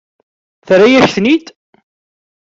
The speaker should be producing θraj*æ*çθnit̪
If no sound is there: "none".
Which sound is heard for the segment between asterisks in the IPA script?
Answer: æ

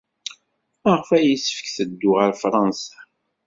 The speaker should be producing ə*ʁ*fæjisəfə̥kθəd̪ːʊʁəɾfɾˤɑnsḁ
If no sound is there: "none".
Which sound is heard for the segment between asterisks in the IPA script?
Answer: ʁ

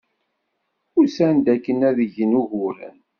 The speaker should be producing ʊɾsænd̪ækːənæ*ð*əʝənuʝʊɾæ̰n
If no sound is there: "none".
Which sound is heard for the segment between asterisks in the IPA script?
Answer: ð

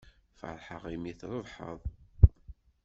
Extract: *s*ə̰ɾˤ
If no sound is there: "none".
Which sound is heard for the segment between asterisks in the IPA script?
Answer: f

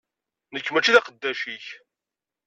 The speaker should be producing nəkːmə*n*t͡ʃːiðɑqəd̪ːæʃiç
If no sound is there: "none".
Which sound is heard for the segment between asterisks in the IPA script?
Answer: none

